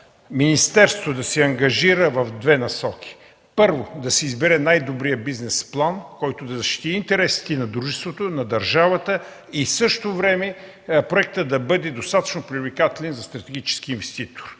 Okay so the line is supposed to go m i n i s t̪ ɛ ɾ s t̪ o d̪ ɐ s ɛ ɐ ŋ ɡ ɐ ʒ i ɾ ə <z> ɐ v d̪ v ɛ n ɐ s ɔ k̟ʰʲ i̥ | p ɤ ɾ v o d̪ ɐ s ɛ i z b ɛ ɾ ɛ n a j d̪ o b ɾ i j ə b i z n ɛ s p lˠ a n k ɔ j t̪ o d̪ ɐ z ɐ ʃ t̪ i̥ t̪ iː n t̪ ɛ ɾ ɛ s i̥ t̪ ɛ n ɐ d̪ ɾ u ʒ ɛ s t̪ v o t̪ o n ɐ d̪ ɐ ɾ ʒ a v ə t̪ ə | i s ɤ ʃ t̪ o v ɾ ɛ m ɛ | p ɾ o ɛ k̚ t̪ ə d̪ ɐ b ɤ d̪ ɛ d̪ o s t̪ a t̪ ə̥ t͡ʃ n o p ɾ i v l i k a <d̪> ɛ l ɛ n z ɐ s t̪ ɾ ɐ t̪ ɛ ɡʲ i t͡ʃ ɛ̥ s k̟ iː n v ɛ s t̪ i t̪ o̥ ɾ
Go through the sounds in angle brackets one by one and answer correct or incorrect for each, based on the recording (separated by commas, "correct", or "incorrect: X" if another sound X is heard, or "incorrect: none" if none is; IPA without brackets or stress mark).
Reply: incorrect: v, incorrect: t̪